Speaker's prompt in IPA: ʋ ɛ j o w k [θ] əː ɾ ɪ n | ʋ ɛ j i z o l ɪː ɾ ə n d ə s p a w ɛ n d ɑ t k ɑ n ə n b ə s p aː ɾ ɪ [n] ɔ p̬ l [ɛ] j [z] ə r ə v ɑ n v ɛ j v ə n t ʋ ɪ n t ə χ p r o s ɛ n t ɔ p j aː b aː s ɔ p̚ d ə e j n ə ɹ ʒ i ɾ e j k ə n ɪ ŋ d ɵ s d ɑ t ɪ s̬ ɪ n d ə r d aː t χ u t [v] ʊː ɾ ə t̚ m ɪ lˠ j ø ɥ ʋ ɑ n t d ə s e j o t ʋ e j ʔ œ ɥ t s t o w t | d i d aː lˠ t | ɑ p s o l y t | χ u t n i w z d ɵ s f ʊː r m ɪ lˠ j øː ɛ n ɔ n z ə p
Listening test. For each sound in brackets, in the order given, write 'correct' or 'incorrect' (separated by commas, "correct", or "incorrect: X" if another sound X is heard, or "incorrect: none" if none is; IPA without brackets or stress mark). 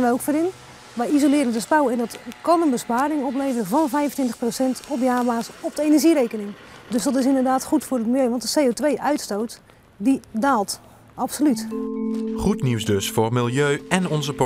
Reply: incorrect: f, incorrect: ŋ, incorrect: e, incorrect: v, incorrect: f